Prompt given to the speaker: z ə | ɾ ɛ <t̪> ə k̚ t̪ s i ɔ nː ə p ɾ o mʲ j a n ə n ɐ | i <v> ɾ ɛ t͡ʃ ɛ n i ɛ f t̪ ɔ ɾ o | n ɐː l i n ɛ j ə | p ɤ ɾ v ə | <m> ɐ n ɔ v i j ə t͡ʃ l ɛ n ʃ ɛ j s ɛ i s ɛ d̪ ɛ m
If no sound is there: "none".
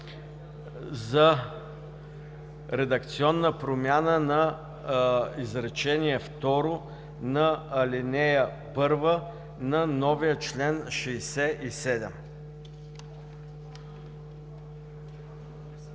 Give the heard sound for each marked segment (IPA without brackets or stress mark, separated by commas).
d̪, z, n